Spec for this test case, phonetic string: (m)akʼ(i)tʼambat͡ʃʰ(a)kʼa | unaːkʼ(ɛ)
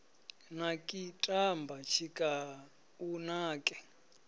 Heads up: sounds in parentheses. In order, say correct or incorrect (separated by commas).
incorrect, correct, incorrect, correct